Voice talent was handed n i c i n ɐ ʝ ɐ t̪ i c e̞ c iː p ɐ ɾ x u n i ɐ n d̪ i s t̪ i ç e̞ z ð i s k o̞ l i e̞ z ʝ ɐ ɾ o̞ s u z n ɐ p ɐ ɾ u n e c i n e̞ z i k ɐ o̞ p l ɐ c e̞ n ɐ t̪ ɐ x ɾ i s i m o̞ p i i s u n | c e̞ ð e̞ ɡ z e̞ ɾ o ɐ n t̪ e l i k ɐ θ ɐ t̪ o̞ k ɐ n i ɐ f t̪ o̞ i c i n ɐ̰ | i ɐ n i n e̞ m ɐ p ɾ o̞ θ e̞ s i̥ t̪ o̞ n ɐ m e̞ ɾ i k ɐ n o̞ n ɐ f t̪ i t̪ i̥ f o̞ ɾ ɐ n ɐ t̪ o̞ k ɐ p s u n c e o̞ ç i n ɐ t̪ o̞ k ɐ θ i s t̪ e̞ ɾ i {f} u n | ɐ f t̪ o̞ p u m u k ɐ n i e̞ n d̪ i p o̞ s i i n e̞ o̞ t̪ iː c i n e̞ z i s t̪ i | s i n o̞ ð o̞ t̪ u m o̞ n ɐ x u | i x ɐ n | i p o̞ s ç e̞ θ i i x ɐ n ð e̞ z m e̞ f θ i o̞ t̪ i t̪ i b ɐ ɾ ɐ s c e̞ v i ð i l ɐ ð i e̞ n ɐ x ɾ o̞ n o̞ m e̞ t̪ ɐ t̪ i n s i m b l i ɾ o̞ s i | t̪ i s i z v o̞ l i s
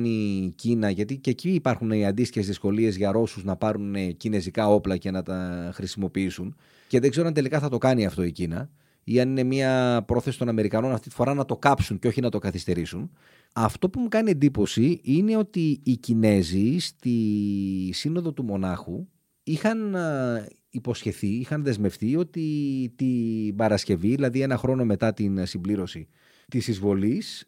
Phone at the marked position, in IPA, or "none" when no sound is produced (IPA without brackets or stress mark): s